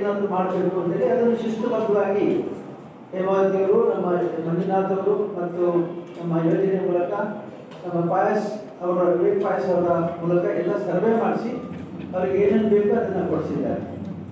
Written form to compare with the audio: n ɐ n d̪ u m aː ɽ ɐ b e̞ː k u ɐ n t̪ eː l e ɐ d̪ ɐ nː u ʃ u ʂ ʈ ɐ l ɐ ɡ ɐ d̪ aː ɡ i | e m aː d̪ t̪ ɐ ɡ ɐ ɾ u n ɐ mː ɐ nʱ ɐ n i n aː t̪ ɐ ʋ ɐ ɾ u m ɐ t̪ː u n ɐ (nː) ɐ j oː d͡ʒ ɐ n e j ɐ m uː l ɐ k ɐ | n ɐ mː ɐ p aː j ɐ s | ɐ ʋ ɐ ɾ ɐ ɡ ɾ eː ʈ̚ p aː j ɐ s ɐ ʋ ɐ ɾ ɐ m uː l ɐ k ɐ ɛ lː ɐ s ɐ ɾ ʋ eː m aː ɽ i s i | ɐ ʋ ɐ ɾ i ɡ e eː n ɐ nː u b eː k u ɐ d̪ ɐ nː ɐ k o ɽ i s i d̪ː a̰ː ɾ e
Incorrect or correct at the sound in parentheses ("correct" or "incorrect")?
incorrect